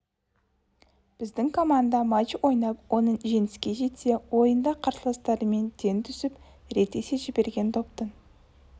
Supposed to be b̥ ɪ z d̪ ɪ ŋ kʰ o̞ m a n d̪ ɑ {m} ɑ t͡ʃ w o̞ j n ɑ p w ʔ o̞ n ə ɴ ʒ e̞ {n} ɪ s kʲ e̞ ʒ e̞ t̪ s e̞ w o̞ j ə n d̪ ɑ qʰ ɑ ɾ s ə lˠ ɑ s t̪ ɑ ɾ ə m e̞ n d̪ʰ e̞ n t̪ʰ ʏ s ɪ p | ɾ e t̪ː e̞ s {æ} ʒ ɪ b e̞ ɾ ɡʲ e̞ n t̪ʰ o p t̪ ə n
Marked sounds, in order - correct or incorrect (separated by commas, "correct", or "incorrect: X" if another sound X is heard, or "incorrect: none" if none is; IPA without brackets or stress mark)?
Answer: correct, correct, incorrect: e